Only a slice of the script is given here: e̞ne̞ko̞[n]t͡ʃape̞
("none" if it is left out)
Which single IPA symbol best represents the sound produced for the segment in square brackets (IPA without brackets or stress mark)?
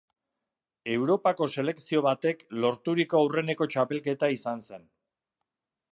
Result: none